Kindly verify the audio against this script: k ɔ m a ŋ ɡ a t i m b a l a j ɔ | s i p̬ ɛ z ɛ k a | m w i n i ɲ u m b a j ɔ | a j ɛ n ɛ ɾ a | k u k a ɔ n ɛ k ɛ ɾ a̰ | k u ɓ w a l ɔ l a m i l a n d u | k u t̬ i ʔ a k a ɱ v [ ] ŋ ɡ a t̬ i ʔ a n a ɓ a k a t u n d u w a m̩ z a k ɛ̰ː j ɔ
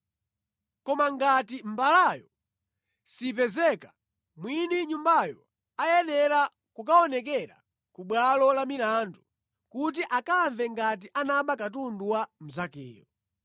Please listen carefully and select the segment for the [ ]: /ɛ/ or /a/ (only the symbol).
ɛ